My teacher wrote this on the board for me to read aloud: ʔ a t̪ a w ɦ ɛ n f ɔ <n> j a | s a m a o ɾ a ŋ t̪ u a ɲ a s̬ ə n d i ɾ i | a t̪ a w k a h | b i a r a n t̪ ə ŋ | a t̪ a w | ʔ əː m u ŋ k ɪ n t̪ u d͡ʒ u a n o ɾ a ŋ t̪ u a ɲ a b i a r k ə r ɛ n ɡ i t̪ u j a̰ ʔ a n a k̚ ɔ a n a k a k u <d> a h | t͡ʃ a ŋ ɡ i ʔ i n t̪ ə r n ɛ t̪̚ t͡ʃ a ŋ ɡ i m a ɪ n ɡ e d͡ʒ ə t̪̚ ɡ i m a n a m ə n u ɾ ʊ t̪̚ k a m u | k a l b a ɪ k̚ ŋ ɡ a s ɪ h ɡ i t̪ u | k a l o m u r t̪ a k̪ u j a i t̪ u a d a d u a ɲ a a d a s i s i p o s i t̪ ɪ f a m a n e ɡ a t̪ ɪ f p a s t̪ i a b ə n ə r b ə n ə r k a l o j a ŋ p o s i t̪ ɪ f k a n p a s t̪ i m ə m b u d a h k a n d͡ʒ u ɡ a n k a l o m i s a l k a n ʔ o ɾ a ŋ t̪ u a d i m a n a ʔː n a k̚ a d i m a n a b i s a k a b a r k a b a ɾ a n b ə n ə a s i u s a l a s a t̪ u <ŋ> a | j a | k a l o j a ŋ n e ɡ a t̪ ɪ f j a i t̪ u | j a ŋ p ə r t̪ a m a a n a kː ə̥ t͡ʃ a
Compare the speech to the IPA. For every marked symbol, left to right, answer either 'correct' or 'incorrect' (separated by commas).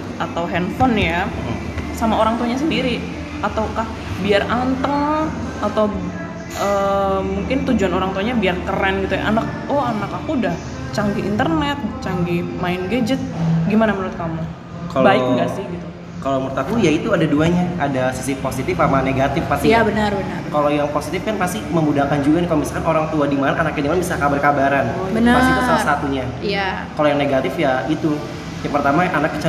correct, correct, incorrect